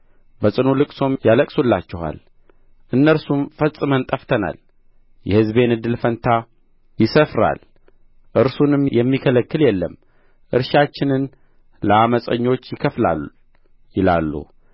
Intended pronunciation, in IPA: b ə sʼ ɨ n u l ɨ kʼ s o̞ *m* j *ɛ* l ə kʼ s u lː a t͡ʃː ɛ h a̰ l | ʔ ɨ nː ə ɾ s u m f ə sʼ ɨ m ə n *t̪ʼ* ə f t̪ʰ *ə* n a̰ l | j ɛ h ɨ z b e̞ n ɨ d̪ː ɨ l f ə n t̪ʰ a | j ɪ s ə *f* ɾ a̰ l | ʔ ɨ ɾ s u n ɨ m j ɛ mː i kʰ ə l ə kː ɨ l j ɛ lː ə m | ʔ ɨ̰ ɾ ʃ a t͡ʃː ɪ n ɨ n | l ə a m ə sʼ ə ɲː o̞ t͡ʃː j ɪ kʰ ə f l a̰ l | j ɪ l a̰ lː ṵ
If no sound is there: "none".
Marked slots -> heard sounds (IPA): m, a, t̪ʼ, ə, f

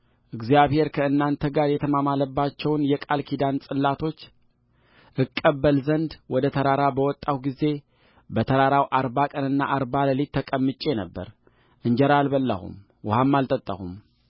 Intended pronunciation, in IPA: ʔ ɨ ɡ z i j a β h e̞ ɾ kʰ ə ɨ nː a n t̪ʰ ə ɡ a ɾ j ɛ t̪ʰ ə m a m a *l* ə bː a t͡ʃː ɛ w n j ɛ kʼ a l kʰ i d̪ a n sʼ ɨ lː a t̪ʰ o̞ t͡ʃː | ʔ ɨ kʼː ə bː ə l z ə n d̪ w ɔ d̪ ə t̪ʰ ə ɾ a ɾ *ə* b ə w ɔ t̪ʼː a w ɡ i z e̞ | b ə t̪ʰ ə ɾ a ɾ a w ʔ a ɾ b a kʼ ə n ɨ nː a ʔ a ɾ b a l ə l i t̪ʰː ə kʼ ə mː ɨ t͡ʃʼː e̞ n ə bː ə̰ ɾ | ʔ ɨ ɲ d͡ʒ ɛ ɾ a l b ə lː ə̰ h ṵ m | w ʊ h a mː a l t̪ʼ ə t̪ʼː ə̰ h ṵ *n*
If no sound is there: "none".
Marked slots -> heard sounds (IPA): l, a, m

